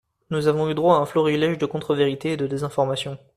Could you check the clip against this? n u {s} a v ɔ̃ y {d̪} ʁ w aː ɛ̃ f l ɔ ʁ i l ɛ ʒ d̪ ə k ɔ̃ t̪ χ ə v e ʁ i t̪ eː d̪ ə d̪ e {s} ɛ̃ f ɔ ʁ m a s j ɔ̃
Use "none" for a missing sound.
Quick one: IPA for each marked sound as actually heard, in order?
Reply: z, d̪, z

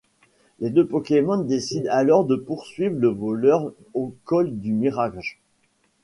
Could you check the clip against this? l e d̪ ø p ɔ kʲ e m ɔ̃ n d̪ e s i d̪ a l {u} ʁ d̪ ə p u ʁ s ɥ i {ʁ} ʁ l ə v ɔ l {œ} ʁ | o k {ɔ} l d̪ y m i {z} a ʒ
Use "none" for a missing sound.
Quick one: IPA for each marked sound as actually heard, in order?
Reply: ɔ, v, œ, ɔ, ʁ

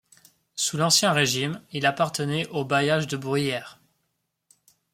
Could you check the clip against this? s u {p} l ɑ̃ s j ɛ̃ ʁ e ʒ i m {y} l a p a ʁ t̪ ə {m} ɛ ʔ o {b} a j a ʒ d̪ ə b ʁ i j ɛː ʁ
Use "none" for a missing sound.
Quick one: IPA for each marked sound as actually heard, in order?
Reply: none, i, n, b

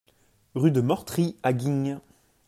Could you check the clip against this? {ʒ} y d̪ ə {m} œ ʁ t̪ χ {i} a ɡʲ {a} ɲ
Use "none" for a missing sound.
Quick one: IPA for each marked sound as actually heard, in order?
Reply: ʁ, m, i, i

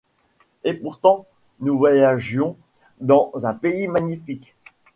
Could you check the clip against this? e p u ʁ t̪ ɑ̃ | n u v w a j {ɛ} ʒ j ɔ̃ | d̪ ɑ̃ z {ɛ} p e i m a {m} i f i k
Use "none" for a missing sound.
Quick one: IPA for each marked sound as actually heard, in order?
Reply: a, ɛ̃, ɲ

